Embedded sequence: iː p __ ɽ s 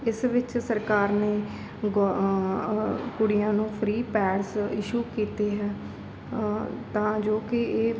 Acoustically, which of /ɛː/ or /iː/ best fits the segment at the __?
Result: ɛː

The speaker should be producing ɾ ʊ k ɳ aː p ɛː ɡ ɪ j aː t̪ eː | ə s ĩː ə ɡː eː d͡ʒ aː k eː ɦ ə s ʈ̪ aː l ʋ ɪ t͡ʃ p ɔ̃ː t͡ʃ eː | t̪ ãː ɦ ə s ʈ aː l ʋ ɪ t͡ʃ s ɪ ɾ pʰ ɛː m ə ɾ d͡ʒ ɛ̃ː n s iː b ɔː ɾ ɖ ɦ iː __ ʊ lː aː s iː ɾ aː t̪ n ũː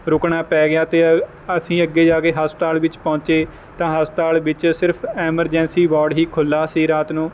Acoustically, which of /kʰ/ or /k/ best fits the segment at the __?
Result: kʰ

